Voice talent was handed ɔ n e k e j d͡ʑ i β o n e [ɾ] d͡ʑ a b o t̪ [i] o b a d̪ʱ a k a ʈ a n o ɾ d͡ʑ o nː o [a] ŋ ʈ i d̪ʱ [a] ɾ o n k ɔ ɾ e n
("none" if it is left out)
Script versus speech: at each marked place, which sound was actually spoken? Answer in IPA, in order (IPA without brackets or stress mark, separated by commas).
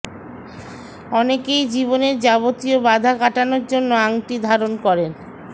ɾ, i, a, a